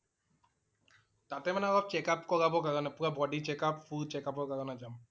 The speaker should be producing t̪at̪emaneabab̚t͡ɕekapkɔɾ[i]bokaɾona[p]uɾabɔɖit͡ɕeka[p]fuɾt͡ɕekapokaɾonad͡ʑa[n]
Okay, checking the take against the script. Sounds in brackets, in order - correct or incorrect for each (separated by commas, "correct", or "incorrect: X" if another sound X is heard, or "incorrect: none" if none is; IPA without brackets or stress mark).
incorrect: a, correct, correct, incorrect: m